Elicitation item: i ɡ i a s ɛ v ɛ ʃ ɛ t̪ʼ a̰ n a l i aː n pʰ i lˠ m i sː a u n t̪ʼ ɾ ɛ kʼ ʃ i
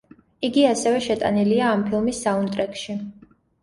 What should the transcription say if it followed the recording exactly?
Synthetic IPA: i ɡ i a s ɛ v ɛ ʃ ɛ t̪ʼ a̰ n i l i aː m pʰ i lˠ m i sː a u n t̪ʼ ɾ ɛ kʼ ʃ i